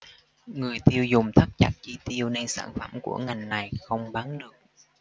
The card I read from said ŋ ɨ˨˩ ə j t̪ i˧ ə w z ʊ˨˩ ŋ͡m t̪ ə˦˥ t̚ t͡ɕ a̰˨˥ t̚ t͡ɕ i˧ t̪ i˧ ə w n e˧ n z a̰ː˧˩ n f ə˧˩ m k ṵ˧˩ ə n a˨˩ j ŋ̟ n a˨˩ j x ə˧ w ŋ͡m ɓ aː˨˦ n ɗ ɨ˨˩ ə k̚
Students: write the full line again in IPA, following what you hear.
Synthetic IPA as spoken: ŋ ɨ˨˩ ə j t̪ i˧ ə w z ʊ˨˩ ŋ͡m t̪ʰ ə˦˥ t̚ t͡ɕ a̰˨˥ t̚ t͡ɕ i˧ t̪ i˧ ə w n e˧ n s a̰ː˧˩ n f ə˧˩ m k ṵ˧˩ ə ŋ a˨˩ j ŋ̟ n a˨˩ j x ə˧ w ŋ͡m ɓ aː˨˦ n ɗ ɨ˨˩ ə k̚